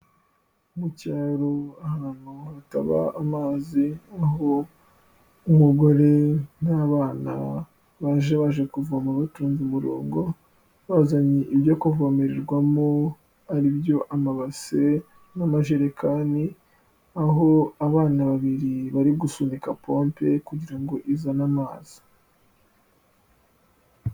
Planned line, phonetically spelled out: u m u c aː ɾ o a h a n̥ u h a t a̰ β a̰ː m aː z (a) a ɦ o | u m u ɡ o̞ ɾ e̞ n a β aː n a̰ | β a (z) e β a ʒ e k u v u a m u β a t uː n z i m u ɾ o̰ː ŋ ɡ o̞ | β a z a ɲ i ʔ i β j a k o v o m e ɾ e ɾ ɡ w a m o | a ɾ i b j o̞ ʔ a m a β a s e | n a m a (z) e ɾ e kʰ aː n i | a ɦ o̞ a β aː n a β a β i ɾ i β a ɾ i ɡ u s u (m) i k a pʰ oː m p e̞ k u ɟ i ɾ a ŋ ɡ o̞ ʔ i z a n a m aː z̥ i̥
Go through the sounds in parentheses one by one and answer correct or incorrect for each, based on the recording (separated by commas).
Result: incorrect, incorrect, incorrect, incorrect